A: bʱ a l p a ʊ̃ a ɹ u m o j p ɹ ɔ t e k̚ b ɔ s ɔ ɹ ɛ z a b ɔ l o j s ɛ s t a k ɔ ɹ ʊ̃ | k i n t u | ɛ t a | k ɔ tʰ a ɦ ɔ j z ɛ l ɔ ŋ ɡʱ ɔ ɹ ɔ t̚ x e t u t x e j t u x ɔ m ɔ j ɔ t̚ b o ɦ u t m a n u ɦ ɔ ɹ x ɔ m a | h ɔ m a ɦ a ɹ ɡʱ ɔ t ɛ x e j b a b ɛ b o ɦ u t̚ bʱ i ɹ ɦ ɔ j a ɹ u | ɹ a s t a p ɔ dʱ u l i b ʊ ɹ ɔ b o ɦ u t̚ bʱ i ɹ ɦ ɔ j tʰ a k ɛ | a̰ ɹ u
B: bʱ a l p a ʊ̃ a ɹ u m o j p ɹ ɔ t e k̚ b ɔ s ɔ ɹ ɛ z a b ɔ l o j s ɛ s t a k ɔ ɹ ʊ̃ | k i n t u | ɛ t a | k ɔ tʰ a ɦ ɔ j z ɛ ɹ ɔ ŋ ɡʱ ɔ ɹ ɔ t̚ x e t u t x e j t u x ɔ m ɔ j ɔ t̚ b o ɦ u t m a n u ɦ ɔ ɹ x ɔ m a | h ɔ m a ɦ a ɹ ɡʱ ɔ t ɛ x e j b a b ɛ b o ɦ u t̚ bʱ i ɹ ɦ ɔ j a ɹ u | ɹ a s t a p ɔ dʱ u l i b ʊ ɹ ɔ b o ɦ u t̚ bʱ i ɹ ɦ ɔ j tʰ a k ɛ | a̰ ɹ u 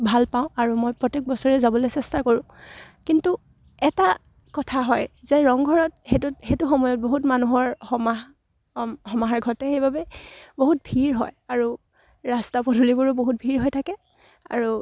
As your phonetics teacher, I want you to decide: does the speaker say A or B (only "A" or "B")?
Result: B